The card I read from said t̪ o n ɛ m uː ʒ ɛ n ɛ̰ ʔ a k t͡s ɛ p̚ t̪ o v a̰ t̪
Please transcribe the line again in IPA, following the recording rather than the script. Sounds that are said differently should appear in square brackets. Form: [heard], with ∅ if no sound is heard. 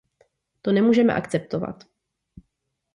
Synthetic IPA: t̪ o n ɛ m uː ʒ ɛ [m] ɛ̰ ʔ a k t͡s ɛ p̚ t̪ o v a̰ t̪